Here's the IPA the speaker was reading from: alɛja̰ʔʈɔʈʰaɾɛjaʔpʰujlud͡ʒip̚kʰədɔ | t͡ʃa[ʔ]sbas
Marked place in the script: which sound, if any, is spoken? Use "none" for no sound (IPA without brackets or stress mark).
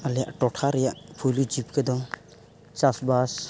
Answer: none